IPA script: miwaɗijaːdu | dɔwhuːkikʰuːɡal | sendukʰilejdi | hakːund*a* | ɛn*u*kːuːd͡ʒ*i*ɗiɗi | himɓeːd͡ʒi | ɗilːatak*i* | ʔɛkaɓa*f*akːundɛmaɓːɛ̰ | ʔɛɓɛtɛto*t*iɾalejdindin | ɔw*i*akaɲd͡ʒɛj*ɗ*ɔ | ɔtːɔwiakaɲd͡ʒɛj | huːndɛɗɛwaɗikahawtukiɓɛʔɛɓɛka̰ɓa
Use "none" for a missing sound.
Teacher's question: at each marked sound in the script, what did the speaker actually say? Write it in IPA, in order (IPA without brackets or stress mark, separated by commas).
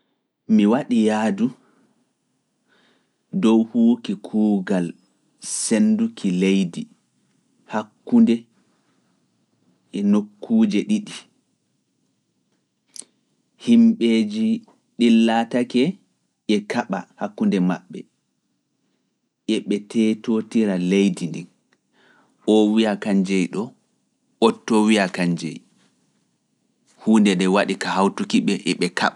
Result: ɛ, o, ɛ, ɛ, h, t, i, ɗ